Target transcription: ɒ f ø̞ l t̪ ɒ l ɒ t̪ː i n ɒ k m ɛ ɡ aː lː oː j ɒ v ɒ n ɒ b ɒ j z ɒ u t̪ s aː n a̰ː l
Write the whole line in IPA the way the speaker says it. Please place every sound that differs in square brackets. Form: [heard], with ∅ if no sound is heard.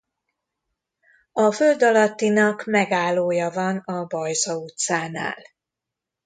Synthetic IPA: ɒ f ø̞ l [d̪] ɒ l ɒ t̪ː i n ɒ k m ɛ ɡ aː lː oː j ɒ v ɒ n ɒ b ɒ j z ɒ u t̪ s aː n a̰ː l